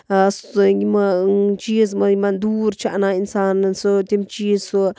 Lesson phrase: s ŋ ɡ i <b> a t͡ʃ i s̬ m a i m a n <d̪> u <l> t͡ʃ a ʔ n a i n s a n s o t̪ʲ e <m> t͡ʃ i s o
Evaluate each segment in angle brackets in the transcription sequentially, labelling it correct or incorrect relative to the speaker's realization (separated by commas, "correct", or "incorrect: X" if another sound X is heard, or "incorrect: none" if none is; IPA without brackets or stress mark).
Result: incorrect: m, correct, incorrect: ɾ, correct